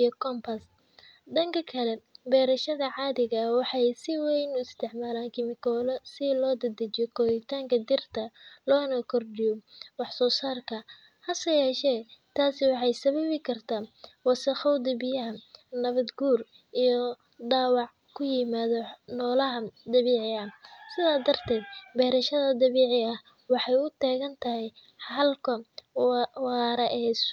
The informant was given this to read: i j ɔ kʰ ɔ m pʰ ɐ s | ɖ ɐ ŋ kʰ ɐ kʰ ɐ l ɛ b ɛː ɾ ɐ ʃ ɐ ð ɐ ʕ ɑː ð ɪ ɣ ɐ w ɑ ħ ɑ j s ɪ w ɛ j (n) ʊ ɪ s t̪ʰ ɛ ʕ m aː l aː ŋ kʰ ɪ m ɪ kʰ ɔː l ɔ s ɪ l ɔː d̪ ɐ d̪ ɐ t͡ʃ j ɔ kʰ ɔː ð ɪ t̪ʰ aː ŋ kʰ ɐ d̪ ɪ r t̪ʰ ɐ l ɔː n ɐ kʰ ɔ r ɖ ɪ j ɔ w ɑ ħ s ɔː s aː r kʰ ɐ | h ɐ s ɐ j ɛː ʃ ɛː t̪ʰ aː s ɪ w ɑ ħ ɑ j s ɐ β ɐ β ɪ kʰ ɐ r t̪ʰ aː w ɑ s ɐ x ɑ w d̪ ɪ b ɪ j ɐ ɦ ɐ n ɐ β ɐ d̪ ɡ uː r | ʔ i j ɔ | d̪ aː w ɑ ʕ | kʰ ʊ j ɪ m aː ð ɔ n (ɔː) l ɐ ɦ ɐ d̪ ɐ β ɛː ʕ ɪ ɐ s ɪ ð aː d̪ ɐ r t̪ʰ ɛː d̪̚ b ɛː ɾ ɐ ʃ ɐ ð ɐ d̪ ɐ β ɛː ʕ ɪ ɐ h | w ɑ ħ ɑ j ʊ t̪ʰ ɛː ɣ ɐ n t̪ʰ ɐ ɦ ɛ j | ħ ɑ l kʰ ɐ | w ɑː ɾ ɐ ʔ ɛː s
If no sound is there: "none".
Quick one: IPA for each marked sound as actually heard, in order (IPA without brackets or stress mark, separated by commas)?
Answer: n, ɔː